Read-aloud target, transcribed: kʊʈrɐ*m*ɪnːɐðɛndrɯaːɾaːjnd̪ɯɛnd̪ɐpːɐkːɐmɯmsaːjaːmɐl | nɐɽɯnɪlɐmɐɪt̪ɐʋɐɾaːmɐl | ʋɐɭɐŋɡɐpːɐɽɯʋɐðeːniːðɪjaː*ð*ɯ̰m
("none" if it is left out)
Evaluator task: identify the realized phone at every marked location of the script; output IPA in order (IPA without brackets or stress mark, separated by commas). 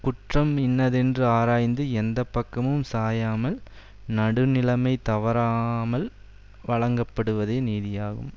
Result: m, ɣ